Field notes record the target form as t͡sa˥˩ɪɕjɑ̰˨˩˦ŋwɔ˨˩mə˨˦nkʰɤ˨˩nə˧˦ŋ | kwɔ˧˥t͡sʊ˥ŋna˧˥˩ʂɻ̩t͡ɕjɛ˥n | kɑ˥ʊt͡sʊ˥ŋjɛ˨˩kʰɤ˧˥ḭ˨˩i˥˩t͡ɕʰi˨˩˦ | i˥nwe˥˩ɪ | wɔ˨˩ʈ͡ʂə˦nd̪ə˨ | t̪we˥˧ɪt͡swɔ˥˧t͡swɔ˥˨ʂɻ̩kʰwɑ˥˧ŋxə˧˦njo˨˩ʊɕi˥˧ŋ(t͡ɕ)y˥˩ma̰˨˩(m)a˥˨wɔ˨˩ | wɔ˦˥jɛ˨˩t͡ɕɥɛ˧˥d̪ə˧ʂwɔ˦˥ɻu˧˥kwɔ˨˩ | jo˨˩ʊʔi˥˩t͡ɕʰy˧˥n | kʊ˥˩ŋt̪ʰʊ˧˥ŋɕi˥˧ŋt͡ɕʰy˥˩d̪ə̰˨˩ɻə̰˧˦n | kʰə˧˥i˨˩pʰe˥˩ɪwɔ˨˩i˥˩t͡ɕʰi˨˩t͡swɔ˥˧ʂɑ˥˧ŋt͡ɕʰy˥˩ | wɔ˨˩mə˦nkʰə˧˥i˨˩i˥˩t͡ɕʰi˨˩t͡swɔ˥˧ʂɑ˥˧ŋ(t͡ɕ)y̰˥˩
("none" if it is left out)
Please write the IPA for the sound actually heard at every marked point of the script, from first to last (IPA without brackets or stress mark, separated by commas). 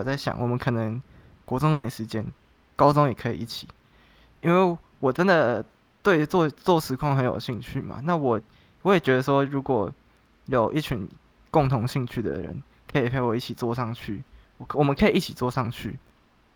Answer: t͡ɕʰ, n, t͡ɕʰ